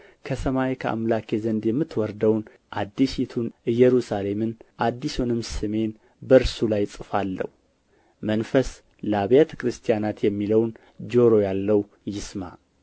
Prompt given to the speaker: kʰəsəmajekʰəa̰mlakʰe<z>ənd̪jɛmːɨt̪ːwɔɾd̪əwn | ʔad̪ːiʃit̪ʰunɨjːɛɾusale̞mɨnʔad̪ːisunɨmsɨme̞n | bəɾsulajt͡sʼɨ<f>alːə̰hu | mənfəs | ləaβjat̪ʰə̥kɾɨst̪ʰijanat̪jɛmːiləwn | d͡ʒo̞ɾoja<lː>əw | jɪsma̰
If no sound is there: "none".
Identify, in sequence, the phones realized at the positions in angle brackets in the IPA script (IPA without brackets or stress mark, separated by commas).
z, f, lː